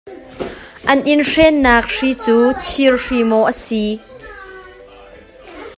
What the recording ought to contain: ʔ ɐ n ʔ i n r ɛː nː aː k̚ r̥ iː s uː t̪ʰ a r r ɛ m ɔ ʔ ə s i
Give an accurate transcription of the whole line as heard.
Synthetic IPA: ʔ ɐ n ʔ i n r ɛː nː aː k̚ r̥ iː t͡s uː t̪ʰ i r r i m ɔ ʔ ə s i